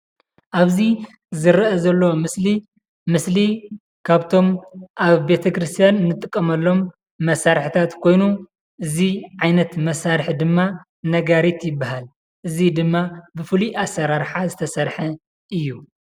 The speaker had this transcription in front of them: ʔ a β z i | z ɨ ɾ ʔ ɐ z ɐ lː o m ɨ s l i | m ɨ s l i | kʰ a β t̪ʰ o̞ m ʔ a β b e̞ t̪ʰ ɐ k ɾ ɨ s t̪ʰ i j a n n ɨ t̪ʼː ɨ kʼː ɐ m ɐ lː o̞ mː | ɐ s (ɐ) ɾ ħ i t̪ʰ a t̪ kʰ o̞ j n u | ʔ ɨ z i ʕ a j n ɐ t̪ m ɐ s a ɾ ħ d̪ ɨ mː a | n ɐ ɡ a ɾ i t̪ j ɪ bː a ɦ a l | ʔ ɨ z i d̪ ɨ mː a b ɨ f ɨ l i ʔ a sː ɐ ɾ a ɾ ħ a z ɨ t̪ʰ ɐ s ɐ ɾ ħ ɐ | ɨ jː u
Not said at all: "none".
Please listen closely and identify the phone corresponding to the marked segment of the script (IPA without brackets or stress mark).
a